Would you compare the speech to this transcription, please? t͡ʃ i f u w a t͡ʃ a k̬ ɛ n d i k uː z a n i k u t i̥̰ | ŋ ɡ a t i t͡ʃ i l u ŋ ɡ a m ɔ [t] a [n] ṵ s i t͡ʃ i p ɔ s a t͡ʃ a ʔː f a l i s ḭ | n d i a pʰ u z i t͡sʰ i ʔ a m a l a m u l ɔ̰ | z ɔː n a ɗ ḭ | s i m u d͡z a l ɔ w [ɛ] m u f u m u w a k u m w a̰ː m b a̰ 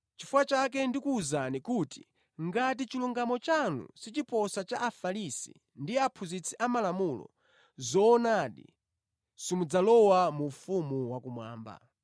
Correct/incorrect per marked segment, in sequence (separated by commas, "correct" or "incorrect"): incorrect, correct, incorrect